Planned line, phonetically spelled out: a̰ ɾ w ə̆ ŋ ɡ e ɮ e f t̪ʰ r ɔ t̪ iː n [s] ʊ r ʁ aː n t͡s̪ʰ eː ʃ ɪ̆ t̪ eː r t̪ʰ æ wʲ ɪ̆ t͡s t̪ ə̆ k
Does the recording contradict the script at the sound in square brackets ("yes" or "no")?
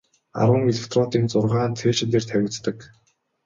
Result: yes